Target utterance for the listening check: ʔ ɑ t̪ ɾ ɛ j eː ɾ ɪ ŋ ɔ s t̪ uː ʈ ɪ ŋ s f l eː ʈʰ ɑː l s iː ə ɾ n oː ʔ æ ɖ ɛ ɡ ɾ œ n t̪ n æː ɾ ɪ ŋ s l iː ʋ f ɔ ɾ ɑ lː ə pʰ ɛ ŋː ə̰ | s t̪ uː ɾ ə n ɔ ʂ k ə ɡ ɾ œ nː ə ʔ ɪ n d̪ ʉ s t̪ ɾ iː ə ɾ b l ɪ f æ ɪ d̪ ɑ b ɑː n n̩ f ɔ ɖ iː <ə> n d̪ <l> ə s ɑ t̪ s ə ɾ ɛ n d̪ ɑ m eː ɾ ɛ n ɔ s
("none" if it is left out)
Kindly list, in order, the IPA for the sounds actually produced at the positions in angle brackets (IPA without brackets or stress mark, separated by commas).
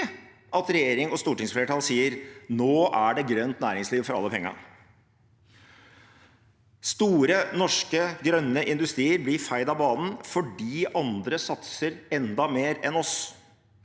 ɑ, ɾ